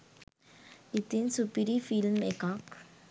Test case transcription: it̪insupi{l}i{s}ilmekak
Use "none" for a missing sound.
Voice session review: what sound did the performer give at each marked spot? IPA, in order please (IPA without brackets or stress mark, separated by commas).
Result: ɾ, f